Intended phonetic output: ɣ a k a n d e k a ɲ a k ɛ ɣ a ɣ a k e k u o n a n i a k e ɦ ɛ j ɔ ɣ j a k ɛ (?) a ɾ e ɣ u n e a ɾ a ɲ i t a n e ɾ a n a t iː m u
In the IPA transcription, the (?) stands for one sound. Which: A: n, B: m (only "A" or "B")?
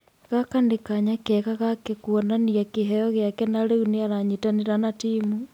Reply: A